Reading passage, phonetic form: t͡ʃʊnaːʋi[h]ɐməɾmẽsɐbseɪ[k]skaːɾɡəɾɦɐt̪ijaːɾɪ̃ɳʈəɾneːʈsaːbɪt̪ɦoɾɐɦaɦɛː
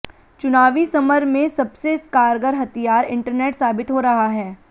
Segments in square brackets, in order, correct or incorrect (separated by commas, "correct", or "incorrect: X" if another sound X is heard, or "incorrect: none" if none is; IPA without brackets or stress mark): incorrect: s, incorrect: none